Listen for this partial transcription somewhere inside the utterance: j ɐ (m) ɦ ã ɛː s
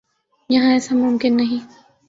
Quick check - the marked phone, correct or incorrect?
incorrect